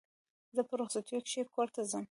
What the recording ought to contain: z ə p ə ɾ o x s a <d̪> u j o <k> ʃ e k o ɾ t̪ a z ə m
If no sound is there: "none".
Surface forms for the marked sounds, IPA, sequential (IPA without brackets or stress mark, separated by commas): t̪, k